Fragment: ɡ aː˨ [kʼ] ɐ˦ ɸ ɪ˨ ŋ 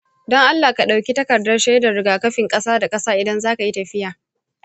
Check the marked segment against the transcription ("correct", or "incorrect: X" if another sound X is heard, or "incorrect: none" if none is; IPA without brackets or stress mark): incorrect: k